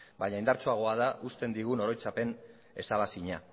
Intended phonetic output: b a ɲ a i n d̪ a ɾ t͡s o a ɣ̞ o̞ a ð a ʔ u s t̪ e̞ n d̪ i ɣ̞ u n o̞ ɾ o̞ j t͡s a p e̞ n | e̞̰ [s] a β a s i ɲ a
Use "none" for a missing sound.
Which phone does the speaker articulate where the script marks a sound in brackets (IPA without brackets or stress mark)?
s